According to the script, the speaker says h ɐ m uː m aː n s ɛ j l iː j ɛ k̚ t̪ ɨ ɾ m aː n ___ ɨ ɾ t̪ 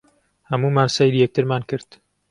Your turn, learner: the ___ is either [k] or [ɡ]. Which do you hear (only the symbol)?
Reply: k